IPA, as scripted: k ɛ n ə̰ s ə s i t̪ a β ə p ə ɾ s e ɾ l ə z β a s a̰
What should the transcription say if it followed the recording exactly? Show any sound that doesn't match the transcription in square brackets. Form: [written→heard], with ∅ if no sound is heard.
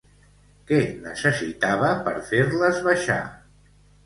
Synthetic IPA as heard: k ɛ n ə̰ s ə s i t̪ a β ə p ə ɾ [s→f] e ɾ l ə z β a [s→ʃ] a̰